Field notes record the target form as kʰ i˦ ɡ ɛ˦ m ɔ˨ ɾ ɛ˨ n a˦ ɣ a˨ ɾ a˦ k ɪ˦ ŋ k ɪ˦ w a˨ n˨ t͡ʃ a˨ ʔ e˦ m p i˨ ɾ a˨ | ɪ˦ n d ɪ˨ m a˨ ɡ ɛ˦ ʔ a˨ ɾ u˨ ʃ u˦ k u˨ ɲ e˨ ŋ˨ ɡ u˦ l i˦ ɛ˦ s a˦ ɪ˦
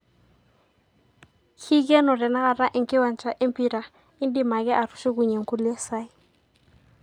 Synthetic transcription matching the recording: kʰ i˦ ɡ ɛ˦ n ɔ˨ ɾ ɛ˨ n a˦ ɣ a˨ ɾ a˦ ʔ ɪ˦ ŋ k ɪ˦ w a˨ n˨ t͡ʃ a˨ ʔ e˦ m p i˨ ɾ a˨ | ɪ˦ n d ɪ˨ m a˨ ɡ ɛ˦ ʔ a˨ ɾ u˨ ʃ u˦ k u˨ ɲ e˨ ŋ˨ k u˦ l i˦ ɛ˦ s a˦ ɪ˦